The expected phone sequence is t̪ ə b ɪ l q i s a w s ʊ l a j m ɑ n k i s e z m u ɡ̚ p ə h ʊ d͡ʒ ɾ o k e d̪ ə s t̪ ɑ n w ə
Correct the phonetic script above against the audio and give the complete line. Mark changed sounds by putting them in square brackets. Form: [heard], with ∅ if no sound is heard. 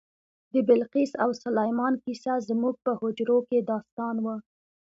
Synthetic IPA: [d̪] ə b ɪ l q i s a w s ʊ l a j m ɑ n k i s [a] z m u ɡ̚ p ə h ʊ d͡ʒ ɾ o k e d̪ [ɑ] s t̪ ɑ n w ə